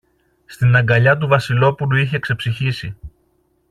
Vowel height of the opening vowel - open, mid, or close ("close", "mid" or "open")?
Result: close